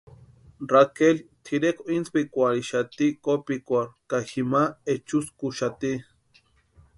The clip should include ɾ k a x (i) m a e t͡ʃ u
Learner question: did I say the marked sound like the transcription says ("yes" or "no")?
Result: yes